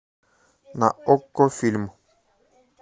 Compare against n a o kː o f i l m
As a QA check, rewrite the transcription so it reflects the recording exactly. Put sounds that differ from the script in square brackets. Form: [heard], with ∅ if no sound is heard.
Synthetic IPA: n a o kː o f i l m